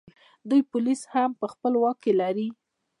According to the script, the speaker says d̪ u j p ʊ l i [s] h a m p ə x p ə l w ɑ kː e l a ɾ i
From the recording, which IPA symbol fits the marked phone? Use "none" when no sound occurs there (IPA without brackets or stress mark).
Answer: s